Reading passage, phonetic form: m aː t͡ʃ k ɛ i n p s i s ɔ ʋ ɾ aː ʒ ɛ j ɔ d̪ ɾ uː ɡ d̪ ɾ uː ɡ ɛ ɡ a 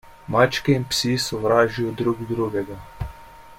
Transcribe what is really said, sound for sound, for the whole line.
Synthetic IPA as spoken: m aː t͡ʃ k ɛ i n p s i s ɔ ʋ ɾ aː ʒ i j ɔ d̪ ɾ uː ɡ d̪ ɾ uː ɡ ɛ ɡ a

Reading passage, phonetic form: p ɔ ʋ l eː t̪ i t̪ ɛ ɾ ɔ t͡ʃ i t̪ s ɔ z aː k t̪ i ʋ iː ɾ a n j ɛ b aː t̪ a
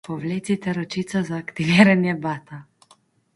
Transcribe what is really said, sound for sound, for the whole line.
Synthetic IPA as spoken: p ɔ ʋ l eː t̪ i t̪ ɛ ɾ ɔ t͡ʃ i t̪ s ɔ z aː k t̪ i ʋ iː ɾ a n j ɛ b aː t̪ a

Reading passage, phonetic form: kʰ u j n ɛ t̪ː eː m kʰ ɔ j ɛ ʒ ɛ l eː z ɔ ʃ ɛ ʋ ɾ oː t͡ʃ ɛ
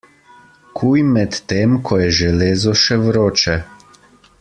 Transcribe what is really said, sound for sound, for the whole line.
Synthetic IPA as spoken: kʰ u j m ɛ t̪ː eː m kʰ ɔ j ɛ ʒ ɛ l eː z ɔ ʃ ɛ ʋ ɾ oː t͡ʃ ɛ

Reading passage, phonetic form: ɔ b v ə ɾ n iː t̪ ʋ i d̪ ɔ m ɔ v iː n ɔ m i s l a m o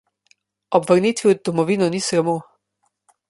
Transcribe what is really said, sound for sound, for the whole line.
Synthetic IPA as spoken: ɔ b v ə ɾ n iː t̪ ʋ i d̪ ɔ m ɔ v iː n ɔ n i s ɾ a m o

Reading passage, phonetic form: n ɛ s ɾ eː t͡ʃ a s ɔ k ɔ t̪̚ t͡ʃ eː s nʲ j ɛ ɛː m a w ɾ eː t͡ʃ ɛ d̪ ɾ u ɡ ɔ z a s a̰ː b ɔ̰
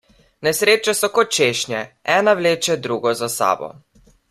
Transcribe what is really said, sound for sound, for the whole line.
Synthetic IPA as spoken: n ɛ s ɾ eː t͡ʃ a s ɔ k ɔ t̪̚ t͡ʃ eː ʃ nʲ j ɛ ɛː n a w l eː t͡ʃ ɛ d̪ ɾ u ɡ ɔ z a s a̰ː b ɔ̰

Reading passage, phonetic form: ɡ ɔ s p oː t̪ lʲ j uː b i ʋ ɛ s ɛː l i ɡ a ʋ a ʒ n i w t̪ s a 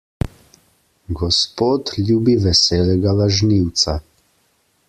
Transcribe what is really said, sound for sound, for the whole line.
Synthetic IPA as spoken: ɡ ɔ s p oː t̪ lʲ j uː b i ʋ ɛ s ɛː l ɛ ɡ a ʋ a ʒ n i w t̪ s a

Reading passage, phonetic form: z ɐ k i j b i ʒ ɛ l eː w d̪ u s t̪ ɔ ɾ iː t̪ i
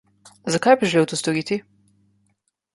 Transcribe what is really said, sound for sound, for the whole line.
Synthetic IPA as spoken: z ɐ k a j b i ʒ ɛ l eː w t̪ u s t̪ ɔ ɾ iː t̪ i

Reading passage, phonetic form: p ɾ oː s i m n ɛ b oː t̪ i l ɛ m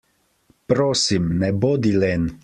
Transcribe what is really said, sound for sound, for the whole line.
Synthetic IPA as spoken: p ɾ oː s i m n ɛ b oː d̪ i l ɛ n

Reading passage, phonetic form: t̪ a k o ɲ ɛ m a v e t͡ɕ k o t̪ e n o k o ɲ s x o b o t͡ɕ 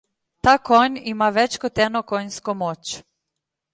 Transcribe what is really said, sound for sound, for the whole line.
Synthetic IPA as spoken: t̪ a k o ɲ i m a ʋ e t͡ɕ k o t̪ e n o k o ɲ s k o m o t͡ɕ

